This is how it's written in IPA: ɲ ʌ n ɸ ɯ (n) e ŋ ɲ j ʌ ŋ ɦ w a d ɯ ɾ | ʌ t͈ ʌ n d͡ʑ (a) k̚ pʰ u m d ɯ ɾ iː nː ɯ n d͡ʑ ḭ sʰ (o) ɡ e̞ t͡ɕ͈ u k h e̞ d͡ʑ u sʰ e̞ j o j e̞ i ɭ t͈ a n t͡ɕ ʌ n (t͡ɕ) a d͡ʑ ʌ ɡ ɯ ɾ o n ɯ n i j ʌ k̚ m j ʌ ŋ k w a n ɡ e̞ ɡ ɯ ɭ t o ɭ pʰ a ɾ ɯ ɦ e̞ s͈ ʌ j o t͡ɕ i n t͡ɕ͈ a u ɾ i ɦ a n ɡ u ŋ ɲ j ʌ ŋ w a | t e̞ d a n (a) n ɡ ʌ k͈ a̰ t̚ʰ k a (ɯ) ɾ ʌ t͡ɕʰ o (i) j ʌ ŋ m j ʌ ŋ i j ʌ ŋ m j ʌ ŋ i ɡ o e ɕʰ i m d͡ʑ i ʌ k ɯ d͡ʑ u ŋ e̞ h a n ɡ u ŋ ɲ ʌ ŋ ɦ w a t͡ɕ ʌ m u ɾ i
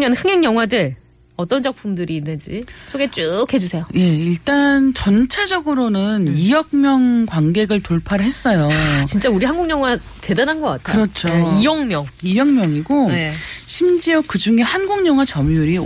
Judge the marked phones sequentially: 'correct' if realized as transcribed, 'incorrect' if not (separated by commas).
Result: incorrect, incorrect, correct, incorrect, correct, correct, correct